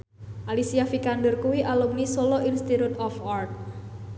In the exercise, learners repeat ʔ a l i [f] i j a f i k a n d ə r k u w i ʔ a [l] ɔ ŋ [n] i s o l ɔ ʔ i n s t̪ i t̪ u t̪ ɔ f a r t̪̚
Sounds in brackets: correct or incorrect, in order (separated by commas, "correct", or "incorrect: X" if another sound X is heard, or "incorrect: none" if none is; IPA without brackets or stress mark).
incorrect: s, correct, correct